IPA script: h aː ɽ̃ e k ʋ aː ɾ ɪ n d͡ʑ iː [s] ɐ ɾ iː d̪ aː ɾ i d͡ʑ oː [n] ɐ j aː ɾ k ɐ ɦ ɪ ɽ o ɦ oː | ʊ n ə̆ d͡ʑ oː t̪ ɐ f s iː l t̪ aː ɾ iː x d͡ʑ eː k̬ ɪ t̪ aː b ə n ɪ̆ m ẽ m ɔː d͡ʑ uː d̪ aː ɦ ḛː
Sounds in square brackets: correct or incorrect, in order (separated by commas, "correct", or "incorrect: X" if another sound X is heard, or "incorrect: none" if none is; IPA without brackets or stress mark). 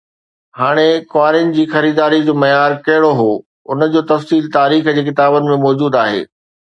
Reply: incorrect: x, incorrect: m